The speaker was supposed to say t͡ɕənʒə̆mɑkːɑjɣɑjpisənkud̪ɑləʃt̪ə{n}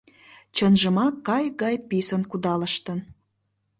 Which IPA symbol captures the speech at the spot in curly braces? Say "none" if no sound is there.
n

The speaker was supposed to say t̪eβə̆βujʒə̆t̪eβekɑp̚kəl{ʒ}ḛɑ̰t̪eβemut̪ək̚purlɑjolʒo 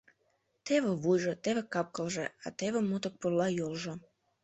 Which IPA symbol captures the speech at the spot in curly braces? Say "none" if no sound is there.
ʒ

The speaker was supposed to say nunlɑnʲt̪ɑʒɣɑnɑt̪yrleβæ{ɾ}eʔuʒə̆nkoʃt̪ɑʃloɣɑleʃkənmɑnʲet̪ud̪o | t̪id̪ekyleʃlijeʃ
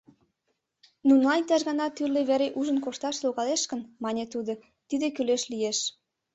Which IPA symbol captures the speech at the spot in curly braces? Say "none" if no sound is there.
ɾ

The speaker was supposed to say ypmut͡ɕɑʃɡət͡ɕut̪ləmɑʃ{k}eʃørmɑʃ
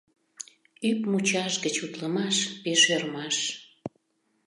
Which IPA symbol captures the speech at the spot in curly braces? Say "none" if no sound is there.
p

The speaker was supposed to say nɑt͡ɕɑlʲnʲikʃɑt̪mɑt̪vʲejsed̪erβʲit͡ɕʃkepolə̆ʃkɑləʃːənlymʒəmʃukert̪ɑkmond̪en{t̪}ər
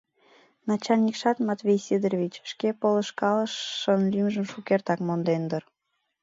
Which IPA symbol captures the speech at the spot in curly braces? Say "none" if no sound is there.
d̪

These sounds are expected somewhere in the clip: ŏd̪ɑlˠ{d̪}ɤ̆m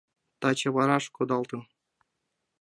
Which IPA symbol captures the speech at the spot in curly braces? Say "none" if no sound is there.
t̪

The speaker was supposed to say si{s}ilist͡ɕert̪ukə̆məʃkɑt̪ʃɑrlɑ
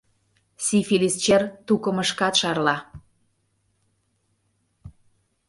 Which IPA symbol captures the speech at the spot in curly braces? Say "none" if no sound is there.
f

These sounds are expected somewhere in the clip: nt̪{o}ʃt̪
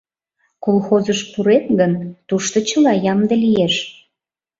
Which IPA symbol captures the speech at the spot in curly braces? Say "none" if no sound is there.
u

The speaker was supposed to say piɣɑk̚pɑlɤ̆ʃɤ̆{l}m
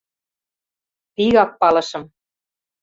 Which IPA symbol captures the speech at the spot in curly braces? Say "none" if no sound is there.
none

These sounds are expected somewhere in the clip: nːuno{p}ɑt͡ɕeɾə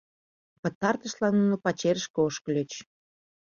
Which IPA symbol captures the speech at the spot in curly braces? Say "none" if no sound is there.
p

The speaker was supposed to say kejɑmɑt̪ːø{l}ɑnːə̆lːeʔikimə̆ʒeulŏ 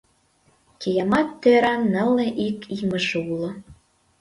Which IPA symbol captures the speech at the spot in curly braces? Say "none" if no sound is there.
ɾ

